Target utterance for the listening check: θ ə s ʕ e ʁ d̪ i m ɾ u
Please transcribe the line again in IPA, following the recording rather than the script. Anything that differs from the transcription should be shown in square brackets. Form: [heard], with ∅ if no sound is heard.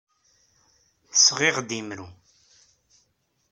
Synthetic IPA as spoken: θ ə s [ʁ] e ʁ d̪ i m ɾ u